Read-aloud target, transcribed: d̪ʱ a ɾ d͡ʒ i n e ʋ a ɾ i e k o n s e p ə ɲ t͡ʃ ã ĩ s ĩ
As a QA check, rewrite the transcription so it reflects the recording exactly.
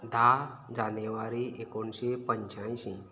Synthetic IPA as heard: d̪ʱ a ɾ d͡ʒ a n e ʋ a ɾ i e k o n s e p ə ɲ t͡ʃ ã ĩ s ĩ